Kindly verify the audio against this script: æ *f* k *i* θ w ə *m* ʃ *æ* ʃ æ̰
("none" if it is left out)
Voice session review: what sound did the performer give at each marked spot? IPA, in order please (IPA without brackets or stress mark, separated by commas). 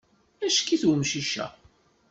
ʃ, i, m, i